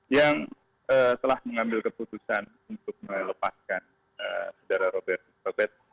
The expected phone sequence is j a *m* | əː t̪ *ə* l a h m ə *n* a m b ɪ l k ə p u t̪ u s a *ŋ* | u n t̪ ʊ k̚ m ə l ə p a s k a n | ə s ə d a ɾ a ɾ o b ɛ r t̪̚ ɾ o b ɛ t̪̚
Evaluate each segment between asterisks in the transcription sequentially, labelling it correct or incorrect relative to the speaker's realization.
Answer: incorrect, correct, incorrect, incorrect

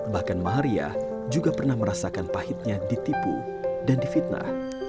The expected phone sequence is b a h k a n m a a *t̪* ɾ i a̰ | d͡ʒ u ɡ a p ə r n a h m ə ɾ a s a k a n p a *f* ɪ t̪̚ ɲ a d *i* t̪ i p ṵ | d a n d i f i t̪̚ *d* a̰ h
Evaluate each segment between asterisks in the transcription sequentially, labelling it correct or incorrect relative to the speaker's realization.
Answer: incorrect, incorrect, correct, incorrect

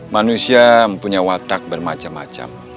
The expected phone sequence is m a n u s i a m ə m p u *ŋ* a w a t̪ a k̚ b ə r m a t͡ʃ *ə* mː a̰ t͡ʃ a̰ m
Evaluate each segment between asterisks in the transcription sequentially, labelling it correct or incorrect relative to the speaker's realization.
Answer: incorrect, incorrect

